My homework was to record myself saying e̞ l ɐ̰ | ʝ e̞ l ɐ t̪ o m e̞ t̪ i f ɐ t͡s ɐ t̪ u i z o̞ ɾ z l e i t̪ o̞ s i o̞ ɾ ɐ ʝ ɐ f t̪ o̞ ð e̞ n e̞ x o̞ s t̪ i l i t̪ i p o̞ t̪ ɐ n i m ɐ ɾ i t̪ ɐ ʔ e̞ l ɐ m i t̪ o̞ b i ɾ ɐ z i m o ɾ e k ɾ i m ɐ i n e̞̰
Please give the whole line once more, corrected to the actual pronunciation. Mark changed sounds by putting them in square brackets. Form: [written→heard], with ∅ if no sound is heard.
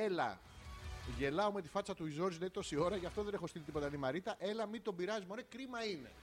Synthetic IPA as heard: e̞ l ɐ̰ | ʝ e̞ l ɐ [t̪→∅] o m e̞ t̪ i f ɐ t͡s ɐ t̪ u i z o̞ ɾ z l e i t̪ o̞ s i o̞ ɾ ɐ ʝ ɐ f t̪ o̞ ð e̞ n e̞ x o̞ s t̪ i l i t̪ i p o̞ t̪ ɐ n i m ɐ ɾ i t̪ ɐ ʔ e̞ l ɐ m i t̪ o̞ b i ɾ ɐ z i m o ɾ e k ɾ i m ɐ i n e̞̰